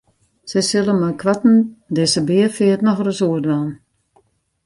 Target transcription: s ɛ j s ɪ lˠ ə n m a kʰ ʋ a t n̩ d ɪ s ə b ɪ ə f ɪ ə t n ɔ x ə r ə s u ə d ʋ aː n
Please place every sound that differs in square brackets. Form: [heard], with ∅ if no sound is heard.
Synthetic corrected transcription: s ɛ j s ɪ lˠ ə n m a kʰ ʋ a t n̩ d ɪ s ə b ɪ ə f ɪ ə t n ɔ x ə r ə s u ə d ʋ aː n